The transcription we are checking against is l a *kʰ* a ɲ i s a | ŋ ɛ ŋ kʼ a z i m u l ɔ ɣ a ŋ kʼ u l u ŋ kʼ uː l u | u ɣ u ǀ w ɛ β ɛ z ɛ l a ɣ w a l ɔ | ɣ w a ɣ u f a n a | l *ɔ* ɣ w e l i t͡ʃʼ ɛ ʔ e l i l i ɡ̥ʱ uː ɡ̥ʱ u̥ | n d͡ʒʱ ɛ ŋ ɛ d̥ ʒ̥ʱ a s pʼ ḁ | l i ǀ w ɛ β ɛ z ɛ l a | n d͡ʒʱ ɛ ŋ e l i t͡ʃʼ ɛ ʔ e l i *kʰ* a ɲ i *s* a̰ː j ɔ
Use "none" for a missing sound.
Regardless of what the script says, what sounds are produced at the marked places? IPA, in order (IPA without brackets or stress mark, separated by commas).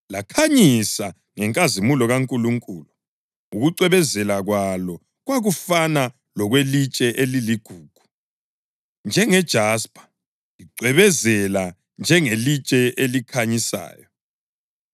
kʰ, ɔ, kʰ, s